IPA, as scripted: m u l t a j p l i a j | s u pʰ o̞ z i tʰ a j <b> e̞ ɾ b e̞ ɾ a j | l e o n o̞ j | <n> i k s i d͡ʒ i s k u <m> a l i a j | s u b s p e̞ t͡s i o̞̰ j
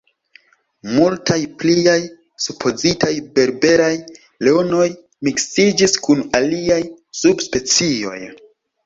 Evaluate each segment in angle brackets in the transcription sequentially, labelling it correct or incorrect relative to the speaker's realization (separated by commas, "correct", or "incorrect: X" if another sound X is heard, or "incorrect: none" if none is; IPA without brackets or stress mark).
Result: correct, incorrect: m, incorrect: n